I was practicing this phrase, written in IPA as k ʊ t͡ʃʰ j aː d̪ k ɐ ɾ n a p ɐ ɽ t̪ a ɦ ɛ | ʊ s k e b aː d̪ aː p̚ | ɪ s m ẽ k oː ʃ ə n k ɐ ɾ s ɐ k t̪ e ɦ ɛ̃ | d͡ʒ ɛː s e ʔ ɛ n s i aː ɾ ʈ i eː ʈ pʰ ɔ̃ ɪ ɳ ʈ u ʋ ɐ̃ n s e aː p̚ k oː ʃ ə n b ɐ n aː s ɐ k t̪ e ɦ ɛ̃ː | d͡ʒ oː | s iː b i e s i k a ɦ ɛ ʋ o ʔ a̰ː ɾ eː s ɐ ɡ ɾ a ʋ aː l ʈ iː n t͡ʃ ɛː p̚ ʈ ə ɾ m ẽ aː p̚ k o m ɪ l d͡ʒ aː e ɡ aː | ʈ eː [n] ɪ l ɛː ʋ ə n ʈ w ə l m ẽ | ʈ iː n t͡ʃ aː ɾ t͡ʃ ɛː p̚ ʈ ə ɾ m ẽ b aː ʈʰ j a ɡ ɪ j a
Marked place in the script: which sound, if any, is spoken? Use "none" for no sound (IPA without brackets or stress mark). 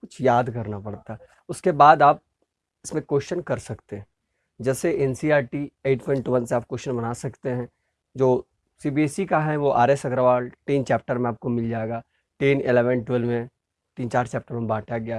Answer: n